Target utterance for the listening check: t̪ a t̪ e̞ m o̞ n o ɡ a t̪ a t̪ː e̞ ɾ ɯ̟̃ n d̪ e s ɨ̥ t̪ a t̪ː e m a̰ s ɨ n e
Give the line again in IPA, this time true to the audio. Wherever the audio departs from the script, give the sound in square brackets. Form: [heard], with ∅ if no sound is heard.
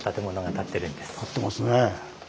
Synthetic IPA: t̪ a t̪ e̞ m o̞ n o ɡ a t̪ a t̪ː e̞ ɾ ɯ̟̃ n d̪ e s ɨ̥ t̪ a t̪ː e m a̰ s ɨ n e